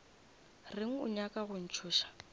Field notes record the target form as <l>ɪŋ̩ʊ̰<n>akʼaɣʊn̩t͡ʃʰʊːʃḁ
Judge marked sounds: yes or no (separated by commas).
no, no